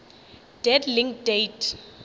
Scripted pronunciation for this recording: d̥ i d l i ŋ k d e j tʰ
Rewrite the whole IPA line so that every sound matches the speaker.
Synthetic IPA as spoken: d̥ ɛ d l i ŋ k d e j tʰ